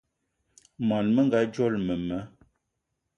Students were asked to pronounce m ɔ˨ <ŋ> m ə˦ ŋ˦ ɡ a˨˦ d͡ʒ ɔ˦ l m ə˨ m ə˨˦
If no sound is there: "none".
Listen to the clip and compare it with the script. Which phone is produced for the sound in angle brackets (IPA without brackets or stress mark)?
n